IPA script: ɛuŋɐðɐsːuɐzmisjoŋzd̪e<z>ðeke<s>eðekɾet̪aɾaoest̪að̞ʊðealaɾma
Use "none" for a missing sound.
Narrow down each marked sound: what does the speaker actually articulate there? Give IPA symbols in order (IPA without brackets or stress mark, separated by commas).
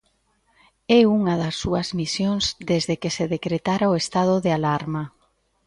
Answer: z, s